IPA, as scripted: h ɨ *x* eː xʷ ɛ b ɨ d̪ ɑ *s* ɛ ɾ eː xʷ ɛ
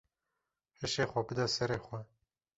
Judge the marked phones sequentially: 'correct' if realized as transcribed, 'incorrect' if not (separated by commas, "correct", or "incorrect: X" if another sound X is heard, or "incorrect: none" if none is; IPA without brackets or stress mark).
incorrect: ʃ, correct